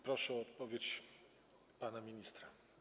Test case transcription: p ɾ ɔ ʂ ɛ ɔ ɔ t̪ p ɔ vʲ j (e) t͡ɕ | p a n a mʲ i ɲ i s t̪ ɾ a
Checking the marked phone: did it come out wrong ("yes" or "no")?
no